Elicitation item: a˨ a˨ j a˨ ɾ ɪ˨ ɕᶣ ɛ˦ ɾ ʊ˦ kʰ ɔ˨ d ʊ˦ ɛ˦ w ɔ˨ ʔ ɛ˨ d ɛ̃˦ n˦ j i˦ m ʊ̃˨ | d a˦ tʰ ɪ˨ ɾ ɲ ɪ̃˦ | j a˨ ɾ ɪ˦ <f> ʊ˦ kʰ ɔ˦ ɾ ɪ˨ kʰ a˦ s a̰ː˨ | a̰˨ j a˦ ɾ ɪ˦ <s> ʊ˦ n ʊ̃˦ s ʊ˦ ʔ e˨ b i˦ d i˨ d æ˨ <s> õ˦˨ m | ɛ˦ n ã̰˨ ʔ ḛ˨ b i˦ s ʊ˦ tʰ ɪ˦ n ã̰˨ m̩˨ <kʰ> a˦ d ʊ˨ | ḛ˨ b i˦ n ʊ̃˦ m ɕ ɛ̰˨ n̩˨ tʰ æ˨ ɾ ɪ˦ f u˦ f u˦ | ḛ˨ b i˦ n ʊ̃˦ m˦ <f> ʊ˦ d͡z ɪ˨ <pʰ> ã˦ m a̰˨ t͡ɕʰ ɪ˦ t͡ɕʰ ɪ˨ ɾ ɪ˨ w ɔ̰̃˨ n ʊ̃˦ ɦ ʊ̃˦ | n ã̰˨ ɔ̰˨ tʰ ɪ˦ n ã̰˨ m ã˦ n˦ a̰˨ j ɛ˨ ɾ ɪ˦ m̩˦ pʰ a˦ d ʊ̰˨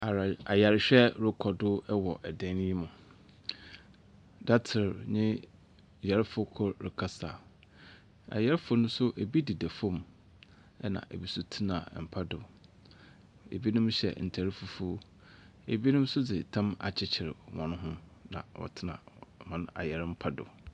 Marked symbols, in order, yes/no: yes, no, no, no, no, no

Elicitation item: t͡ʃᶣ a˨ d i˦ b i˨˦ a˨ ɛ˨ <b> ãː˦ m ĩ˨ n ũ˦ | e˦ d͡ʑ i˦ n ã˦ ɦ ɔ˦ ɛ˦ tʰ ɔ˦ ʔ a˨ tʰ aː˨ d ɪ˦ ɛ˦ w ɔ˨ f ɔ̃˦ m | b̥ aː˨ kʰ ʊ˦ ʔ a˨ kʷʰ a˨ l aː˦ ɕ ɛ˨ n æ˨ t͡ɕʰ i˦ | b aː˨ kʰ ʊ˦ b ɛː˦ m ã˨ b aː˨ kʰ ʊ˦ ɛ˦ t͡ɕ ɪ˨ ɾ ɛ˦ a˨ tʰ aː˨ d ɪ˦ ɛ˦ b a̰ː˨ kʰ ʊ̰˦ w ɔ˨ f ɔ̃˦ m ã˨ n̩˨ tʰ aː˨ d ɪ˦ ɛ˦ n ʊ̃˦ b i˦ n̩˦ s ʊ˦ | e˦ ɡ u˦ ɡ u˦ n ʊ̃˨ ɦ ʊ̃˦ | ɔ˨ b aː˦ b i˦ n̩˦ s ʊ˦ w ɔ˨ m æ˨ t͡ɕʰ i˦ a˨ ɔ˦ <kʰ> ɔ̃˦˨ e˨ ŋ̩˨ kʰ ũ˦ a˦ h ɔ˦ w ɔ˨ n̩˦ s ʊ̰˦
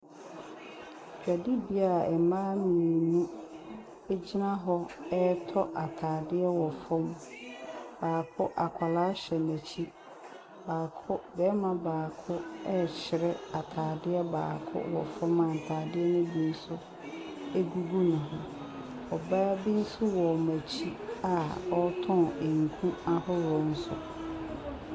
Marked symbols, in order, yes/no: no, no

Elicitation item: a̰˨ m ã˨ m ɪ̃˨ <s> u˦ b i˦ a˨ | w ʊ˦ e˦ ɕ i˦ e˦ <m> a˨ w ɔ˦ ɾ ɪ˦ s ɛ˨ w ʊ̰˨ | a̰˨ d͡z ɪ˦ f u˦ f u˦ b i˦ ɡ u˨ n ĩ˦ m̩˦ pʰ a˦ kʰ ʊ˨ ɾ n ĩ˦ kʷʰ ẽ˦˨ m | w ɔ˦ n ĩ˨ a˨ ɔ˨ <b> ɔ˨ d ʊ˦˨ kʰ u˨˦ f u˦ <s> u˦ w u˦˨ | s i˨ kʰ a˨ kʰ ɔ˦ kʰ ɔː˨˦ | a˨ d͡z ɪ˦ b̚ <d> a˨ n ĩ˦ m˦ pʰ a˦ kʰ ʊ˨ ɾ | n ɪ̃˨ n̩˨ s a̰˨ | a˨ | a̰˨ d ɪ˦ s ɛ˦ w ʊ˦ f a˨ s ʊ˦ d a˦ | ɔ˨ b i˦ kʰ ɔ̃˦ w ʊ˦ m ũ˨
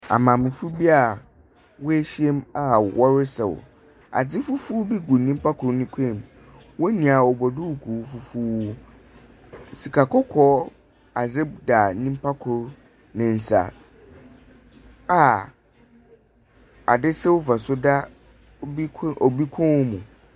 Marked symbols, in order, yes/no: no, yes, yes, no, yes

